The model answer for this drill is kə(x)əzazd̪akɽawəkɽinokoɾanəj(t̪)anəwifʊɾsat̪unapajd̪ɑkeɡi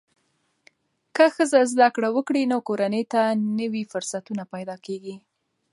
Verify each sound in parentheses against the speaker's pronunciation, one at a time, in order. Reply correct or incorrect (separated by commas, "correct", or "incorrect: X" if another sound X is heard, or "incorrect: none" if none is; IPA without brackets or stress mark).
correct, correct